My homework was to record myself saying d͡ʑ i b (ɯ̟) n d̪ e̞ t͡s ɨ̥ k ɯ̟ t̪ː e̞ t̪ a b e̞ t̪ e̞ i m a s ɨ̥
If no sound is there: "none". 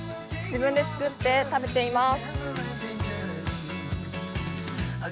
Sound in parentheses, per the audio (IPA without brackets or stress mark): ɯ̟̃